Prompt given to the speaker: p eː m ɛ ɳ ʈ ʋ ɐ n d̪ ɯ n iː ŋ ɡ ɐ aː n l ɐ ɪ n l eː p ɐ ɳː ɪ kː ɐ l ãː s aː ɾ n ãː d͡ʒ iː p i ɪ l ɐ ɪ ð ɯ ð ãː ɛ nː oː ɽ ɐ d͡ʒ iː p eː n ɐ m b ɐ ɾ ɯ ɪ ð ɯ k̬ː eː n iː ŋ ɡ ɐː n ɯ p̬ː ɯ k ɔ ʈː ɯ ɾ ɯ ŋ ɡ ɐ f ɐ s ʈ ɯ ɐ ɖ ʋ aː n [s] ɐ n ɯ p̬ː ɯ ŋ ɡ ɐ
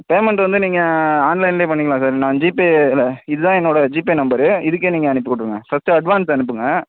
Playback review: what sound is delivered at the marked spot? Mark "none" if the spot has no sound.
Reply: s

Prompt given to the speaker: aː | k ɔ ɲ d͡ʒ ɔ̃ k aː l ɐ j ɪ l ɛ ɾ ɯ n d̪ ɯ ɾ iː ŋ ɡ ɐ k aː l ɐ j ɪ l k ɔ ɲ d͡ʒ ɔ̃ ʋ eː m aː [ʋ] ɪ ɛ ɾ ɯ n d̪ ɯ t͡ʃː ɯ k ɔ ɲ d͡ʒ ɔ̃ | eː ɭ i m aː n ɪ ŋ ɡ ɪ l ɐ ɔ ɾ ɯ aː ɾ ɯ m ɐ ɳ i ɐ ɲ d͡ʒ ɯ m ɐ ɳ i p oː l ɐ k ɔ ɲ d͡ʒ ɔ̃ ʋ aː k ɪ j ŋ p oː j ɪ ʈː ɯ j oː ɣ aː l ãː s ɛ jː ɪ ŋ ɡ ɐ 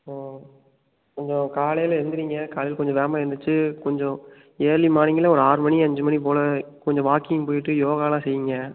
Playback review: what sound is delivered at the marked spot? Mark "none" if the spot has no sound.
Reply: none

